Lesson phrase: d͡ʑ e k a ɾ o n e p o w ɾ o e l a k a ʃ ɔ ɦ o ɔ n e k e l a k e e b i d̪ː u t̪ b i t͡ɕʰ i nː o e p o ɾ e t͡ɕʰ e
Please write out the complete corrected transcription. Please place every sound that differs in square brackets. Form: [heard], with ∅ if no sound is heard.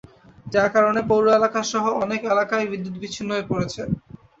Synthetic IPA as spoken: d͡ʑ [a] k a ɾ o n e p o w ɾ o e l a k a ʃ ɔ ɦ o ɔ n e k e l a k [a] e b i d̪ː u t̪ b i t͡ɕʰ i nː o e p o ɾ e t͡ɕʰ e